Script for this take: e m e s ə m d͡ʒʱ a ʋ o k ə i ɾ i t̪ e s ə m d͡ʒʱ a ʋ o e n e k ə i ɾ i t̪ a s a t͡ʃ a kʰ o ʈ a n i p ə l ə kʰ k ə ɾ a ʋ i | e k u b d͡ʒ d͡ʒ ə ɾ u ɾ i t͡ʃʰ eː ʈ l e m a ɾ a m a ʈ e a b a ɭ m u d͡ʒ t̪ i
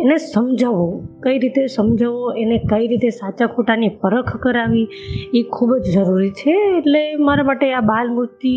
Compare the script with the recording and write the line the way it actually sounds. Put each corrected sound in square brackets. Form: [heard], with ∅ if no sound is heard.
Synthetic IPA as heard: e [n] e s ə m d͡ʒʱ a ʋ o k ə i ɾ i t̪ e s ə m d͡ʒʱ a ʋ o e n e k ə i ɾ i t̪ [e] s a t͡ʃ a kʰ o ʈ a n i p ə [ɾ] ə kʰ k ə ɾ a ʋ i | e [kʰ] u b d͡ʒ d͡ʒ ə ɾ u ɾ i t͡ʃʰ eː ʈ l e m a ɾ a m a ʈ e a b a [l] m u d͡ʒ t̪ i